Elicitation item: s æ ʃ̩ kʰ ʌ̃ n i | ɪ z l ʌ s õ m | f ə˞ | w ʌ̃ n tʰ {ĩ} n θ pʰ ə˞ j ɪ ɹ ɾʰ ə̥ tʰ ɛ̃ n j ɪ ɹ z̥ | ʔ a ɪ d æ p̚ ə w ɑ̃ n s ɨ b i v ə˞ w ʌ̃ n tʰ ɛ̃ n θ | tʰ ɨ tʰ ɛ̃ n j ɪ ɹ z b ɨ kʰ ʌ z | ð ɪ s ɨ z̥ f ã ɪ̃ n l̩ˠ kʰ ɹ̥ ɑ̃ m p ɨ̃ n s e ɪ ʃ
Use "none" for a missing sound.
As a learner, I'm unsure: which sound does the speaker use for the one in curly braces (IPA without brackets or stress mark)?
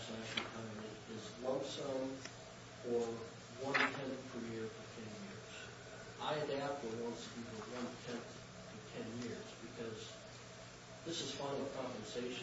ɛ̃